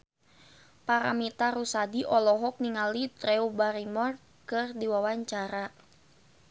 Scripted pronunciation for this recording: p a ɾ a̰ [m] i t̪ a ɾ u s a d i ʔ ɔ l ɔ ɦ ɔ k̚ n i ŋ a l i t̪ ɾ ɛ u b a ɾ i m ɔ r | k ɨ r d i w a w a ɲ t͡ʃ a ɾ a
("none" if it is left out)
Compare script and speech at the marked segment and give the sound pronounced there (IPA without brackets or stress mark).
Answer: m